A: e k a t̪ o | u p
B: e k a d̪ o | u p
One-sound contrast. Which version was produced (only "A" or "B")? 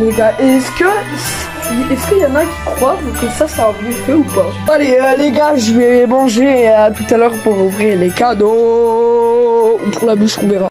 B